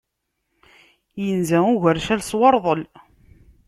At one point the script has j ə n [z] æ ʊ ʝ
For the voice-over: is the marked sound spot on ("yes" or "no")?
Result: yes